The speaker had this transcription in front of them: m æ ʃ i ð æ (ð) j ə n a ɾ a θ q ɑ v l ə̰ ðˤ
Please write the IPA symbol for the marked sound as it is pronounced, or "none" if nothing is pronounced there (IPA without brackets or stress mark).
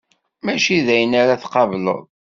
none